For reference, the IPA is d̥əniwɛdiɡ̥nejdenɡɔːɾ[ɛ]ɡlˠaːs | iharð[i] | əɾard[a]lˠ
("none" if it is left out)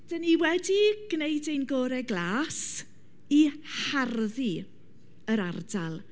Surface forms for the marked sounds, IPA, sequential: ɛ, i, a

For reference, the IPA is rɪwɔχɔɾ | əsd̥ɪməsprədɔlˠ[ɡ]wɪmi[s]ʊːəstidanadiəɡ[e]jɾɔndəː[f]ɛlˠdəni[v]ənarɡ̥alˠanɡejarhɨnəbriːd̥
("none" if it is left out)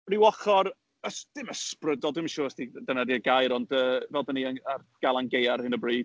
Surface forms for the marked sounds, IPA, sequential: d, ʃ, a, v, none

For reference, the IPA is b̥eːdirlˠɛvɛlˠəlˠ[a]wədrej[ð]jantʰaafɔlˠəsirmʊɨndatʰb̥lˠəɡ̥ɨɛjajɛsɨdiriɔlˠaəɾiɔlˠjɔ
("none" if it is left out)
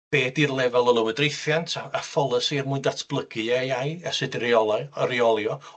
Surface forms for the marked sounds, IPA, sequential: ə, θ

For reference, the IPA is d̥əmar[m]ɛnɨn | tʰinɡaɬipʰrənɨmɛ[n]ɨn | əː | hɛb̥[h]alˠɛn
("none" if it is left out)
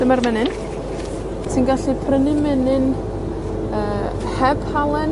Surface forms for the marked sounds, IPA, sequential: m, n, h

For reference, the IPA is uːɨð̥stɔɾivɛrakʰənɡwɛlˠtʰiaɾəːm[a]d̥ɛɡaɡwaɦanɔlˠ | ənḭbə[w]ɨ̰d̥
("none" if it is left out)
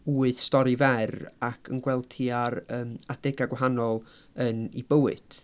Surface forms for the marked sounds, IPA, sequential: a, w

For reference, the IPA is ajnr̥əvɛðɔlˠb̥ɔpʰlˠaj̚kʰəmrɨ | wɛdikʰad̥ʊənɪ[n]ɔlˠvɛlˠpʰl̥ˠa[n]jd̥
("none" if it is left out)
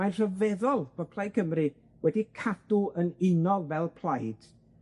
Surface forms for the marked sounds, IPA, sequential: n, none

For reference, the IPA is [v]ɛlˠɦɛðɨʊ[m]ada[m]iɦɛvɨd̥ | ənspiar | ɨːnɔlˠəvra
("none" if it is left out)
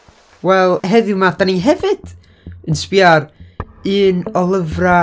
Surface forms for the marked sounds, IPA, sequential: w, m, n

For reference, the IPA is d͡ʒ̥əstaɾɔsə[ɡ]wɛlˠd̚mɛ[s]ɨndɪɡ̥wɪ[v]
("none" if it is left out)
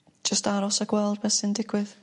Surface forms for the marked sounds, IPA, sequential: ɡ, s, ð

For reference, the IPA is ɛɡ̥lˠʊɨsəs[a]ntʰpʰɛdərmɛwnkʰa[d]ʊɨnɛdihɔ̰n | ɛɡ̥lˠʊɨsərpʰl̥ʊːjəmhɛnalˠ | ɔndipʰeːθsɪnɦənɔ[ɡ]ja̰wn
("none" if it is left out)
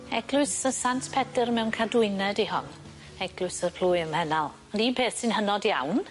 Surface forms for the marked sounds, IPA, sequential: a, d, d

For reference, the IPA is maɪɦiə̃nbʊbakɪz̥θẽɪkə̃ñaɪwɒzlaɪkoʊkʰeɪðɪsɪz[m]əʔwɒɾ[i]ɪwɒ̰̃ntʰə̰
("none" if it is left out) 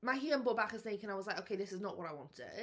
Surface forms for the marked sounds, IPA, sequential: n, a

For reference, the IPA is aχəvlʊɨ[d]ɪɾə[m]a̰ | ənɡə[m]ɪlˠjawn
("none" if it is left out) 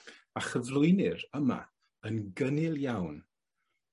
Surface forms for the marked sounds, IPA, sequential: n, m, n

